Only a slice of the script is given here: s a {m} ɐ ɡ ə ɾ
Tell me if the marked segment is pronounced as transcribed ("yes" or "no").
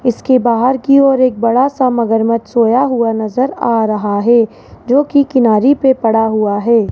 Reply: yes